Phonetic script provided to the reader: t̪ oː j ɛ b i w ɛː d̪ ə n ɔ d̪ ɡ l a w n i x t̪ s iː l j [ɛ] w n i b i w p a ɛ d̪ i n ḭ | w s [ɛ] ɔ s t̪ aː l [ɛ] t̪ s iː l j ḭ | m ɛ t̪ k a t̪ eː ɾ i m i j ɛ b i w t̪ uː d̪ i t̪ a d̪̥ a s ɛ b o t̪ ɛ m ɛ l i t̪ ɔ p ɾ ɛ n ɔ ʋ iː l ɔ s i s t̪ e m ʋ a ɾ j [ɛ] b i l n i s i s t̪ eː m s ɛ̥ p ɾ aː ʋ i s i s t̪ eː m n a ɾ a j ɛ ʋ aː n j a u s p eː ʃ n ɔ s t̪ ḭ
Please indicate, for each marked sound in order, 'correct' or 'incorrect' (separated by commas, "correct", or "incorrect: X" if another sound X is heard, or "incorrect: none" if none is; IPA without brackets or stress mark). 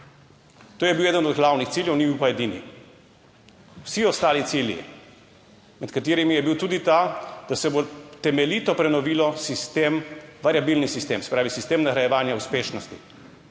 correct, incorrect: i, incorrect: i, incorrect: a